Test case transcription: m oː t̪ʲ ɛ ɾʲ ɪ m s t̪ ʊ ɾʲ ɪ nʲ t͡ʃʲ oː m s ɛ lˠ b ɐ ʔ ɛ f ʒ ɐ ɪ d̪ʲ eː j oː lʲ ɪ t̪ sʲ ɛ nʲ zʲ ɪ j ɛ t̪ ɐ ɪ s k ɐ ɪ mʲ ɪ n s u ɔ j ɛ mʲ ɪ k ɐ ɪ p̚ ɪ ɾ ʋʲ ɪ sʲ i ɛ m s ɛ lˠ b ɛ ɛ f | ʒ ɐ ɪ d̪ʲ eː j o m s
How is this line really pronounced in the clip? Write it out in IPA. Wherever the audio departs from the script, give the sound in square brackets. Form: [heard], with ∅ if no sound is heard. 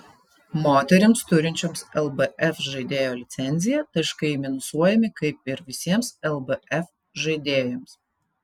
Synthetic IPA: m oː t̪ʲ ɛ ɾʲ ɪ m s t̪ ʊ ɾʲ ɪ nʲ t͡ʃʲ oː m s ɛ lˠ b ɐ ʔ ɛ f ʒ ɐ ɪ d̪ʲ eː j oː lʲ ɪ t̪ sʲ ɛ nʲ zʲ ɪ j ɛ t̪ ɐ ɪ [ʃ] k ɐ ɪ mʲ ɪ n s u ɔ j ɛ mʲ ɪ k ɐ ɪ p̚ ɪ ɾ ʋʲ ɪ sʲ i ɛ m s ɛ lˠ b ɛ ɛ f | ʒ ɐ ɪ d̪ʲ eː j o m s